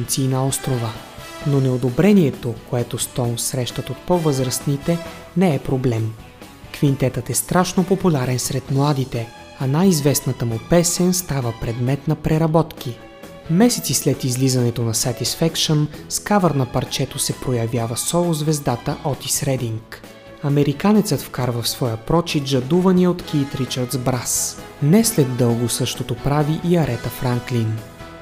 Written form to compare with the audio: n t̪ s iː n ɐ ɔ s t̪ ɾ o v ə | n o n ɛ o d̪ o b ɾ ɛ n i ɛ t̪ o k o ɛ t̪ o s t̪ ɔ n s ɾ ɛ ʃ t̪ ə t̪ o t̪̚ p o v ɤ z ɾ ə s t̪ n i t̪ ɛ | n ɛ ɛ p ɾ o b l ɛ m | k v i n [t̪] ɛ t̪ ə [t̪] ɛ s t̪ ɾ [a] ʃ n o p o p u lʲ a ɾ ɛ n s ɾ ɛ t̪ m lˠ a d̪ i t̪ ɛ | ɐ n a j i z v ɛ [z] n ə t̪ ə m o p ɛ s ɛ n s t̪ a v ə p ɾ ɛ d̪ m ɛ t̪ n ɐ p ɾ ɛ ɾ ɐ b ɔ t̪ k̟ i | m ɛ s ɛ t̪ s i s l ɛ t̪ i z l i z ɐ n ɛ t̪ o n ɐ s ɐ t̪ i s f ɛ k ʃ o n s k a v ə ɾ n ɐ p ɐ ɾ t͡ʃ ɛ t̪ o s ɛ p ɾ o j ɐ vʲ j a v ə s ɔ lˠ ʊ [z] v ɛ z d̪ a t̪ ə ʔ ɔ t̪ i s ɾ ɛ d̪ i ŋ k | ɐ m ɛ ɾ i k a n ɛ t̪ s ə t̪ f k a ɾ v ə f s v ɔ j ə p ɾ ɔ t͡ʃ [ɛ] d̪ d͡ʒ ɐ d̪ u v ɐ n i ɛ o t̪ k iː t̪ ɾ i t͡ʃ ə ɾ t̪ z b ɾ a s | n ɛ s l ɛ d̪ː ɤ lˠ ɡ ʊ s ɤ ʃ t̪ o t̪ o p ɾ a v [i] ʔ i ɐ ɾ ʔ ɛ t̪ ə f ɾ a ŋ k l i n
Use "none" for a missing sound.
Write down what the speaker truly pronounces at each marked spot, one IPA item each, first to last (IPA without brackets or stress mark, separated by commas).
t̪, t̪, a, s, z, i, i